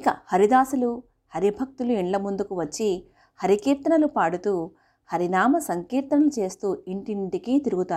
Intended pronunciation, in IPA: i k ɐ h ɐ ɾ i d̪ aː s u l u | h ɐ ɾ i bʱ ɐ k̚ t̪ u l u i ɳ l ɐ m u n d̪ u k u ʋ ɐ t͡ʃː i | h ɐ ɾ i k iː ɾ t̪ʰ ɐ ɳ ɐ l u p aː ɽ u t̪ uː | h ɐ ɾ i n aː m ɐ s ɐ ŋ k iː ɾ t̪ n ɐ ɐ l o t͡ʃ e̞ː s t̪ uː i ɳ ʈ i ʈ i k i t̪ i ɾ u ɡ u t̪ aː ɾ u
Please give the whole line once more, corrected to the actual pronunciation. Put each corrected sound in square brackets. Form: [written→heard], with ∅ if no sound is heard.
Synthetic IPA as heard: i k ɐ h ɐ ɾ i d̪ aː s u l u | h ɐ ɾ i bʱ ɐ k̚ t̪ u l u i ɳ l ɐ m u n d̪ u k u ʋ ɐ t͡ʃː i | h ɐ ɾ i k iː ɾ [t̪ʰ→t̪] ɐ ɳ ɐ l u p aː ɽ u t̪ uː | h ɐ ɾ i n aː m ɐ s ɐ ŋ k iː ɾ t̪ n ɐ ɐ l [o→u] t͡ʃ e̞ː s t̪ uː i ɳ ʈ i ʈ i k i t̪ i ɾ u ɡ u t̪ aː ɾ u